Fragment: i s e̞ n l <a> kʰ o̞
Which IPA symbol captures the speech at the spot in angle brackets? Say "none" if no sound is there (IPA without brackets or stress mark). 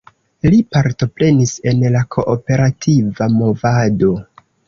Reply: a